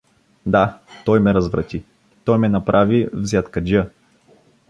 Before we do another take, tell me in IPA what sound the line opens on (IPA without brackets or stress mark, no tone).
d̪